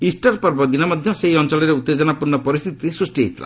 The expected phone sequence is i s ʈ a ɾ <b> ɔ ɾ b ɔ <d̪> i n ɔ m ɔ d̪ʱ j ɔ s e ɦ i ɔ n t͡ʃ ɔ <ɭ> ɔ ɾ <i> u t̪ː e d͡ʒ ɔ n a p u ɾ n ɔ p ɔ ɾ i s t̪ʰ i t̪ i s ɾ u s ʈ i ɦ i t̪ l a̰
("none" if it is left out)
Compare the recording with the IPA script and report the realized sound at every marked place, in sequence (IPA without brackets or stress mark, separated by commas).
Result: p, d̪, l, e